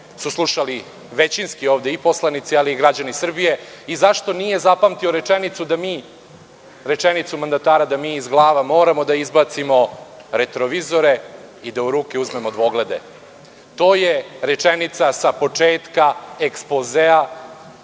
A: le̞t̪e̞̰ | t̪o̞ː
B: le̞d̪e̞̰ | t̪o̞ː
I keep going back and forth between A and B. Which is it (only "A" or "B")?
B